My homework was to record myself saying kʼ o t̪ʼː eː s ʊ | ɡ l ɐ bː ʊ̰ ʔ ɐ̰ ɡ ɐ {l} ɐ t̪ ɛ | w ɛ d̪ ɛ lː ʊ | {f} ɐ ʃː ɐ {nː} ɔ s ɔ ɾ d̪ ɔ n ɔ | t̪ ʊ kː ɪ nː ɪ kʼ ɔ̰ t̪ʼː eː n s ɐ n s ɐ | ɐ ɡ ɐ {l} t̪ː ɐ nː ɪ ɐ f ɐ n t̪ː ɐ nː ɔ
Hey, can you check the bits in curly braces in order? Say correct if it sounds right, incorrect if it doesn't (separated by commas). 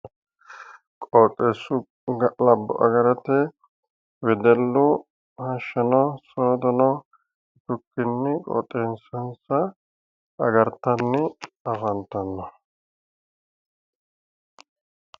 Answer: incorrect, incorrect, incorrect, incorrect